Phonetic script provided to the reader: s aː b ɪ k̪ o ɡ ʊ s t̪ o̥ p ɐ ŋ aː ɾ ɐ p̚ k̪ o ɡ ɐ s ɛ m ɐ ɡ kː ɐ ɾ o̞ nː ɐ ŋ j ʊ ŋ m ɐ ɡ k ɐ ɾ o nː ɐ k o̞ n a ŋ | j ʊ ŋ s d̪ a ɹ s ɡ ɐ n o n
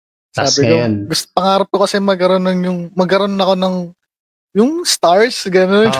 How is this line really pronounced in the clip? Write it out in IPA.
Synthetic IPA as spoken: s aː b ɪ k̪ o ɡ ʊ s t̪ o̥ p ɐ ŋ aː ɾ ɐ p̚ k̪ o k ɐ s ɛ m ɐ ɡ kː ɐ ɾ o̞ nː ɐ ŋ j ʊ ŋ m ɐ ɡ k ɐ ɾ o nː ɐ k o̞ n ɐ ŋ | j ʊ ŋ s t̪ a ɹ s ɡ ɐ n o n